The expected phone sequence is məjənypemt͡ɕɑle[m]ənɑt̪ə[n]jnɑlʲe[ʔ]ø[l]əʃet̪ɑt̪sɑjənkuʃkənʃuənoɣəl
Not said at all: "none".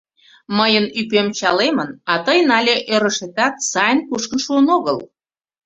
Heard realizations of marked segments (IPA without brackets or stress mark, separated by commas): m, none, ʔ, ɾ